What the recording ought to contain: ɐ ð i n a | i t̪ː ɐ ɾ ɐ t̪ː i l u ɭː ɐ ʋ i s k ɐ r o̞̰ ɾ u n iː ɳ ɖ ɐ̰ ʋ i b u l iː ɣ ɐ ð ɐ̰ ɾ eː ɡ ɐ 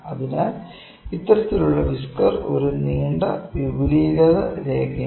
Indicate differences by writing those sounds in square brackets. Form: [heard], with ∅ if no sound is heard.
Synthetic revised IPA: ɐ ð i n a | i t̪ː ɐ ɾ ɐ t̪ː i l u ɭː ɐ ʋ i s k ɐ r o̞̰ ɾ u n iː ɳ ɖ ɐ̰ ʋ i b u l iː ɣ ɐ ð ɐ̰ ɾ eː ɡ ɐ